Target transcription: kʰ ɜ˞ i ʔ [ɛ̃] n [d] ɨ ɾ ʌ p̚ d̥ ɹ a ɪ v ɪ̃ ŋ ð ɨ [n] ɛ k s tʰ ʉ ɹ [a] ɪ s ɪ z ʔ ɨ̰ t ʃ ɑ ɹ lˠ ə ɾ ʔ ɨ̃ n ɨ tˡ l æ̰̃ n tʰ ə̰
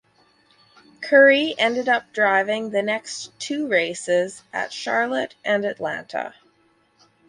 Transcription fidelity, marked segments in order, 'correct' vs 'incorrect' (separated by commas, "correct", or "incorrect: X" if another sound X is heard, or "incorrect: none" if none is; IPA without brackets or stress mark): correct, correct, correct, incorrect: e